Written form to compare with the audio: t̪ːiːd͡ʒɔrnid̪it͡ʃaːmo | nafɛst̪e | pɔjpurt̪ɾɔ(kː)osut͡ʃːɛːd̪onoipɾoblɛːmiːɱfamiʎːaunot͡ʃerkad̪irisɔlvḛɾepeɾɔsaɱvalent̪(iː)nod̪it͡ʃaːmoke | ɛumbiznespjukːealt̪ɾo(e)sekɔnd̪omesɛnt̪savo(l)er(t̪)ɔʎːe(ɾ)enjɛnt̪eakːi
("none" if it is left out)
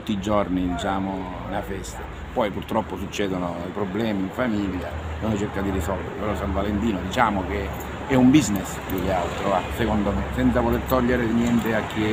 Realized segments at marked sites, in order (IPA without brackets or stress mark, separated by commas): pː, iː, a, l, t̪, ɾ